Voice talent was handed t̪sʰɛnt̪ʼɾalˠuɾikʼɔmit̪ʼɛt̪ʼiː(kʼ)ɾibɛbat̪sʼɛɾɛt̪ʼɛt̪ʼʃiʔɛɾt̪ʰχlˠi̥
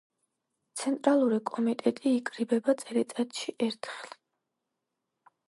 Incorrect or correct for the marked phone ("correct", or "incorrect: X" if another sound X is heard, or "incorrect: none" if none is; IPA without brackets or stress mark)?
correct